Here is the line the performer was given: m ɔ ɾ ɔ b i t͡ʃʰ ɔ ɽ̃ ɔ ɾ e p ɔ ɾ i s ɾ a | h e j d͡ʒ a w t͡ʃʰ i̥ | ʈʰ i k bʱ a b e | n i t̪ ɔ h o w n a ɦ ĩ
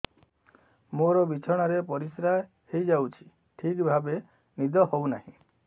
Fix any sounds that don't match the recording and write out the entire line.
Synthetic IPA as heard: m o ɾ ɔ b i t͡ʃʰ ɔ ɽ̃ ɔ ɾ e p ɔ ɾ i s ɾ a | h e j d͡ʒ a w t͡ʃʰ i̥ | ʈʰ i k bʱ a b e | n i d̪ ɔ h o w n a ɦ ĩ